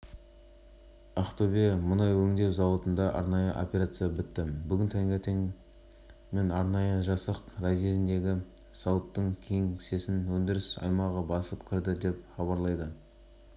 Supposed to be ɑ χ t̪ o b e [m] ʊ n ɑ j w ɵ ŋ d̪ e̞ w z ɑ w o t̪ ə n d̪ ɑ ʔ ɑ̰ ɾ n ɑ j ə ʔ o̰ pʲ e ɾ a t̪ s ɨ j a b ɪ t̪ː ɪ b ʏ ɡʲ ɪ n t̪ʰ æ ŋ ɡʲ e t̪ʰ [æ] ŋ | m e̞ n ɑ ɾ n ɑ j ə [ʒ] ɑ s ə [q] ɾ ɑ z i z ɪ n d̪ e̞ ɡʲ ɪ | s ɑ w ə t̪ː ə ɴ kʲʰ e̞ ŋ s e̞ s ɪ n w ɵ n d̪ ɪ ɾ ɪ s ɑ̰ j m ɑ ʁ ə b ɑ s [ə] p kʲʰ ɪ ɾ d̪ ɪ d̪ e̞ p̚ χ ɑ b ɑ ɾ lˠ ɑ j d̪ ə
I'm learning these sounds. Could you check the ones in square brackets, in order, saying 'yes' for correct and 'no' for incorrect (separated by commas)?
yes, no, yes, yes, yes